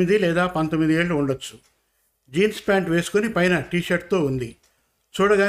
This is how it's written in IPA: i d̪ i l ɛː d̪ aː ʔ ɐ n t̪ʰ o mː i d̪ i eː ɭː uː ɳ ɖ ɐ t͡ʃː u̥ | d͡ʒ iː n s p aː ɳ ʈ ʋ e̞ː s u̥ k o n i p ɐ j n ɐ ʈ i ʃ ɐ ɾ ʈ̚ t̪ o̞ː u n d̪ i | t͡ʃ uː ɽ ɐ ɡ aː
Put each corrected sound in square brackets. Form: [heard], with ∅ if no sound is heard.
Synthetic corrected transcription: i d̪ i l ɛː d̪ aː [p] ɐ n [t̪] o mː i d̪ i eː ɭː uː ɳ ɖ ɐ t͡ʃː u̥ | d͡ʒ iː n s p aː ɳ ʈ ʋ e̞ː s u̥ k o n i p ɐ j n ɐ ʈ [iː] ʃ ɐ ɾ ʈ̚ t̪ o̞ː u n d̪ i | t͡ʃ uː ɽ ɐ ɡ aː